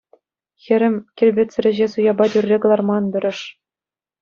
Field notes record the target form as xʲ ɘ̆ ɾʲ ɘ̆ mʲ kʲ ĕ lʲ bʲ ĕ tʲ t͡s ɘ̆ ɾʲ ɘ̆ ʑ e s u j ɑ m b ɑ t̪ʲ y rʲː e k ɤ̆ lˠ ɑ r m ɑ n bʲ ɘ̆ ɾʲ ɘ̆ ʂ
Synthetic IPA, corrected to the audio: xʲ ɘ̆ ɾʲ ɘ̆ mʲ kʲ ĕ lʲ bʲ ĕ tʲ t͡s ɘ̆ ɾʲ ɘ̆ ʑ e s u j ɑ b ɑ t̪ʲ y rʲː e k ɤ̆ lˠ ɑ r m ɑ n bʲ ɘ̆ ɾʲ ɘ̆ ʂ